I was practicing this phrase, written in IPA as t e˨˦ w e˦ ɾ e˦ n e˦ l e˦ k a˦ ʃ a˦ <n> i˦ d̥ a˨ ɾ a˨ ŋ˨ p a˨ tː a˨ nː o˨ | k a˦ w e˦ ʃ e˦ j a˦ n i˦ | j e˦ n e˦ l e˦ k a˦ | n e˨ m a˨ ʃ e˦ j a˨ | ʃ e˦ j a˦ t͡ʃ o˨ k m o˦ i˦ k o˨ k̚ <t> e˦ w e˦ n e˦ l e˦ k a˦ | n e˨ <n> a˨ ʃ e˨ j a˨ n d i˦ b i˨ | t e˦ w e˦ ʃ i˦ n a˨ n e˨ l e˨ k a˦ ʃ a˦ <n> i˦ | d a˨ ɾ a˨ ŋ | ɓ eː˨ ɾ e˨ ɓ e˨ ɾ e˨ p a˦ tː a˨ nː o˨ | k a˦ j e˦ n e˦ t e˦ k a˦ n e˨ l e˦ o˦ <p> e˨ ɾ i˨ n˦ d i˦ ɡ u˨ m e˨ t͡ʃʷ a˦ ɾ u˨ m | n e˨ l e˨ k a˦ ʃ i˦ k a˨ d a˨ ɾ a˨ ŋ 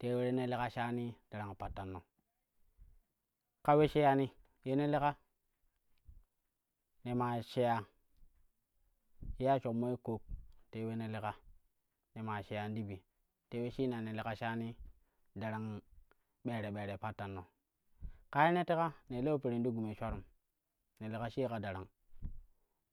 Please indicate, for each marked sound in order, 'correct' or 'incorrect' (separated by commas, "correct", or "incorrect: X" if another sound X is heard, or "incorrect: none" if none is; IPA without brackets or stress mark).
correct, correct, incorrect: m, correct, correct